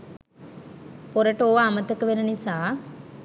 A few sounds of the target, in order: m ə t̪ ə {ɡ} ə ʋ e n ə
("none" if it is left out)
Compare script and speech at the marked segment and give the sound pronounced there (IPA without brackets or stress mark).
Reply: k